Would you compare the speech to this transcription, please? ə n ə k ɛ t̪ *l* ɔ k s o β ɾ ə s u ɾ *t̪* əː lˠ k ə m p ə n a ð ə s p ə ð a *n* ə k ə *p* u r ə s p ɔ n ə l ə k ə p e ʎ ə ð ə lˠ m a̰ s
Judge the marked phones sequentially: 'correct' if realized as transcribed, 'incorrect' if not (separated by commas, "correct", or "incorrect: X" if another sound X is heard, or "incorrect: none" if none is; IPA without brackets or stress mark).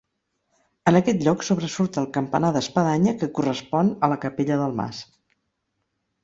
incorrect: ʎ, correct, incorrect: ɲ, incorrect: k